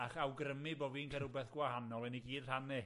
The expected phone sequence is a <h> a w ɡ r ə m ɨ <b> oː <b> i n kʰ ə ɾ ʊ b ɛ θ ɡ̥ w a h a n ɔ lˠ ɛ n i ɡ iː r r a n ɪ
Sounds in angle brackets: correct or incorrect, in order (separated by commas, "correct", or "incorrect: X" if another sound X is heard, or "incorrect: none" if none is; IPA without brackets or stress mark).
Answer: incorrect: χ, correct, incorrect: v